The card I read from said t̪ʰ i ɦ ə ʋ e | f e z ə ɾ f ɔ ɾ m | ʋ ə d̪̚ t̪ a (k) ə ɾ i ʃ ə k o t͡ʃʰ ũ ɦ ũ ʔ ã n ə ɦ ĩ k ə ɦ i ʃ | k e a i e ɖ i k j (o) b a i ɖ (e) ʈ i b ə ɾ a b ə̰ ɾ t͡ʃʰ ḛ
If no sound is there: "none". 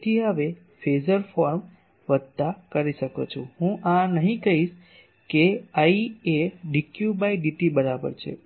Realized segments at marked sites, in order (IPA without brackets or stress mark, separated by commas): k, u, i